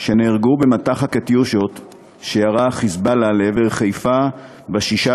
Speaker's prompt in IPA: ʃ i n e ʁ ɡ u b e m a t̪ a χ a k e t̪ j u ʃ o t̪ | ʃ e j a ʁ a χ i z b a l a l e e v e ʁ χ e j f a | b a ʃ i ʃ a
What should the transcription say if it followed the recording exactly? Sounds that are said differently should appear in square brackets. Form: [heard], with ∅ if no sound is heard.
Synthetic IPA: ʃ [e] n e ʁ ɡ u b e m a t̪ a χ a k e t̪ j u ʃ o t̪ | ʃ e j a ʁ a χ i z b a l a l e e v e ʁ χ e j f a | b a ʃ i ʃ a